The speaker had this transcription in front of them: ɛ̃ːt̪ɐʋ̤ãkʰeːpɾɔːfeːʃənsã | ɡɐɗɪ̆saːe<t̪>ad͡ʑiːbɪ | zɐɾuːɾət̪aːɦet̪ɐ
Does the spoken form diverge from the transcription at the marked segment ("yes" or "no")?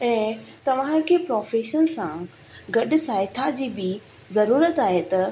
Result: yes